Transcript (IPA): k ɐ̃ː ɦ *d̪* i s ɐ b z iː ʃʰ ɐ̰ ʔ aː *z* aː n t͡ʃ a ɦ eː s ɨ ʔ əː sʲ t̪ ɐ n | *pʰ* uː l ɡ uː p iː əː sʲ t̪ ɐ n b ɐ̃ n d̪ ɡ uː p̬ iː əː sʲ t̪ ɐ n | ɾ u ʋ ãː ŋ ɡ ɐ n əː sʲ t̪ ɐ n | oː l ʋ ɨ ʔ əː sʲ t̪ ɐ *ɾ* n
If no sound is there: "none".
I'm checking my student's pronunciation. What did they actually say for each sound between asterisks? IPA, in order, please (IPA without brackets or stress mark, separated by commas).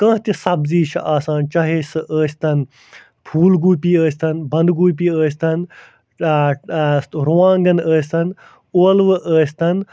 t̪, s, pʰ, none